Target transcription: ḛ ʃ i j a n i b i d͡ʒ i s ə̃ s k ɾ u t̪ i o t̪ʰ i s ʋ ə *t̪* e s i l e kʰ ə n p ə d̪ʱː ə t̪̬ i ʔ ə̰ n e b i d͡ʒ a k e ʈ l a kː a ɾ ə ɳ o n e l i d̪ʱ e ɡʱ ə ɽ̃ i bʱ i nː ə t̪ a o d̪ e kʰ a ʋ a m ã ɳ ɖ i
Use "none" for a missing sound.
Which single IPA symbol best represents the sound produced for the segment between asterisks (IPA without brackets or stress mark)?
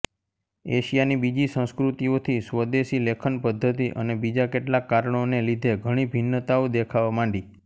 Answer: d̪